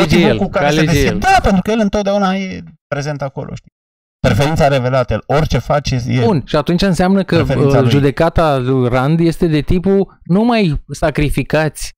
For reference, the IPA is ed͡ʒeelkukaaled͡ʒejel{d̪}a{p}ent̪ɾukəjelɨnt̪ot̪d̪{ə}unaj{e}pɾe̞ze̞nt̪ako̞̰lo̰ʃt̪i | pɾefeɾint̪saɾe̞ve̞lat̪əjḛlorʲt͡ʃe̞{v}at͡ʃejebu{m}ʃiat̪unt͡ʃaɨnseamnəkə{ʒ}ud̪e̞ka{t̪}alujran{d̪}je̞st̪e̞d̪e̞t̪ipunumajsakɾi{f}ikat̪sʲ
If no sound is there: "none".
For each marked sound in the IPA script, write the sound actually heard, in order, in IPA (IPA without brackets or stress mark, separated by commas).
d̪, p, a, e, f, n, ʒ, t̪, d̪, f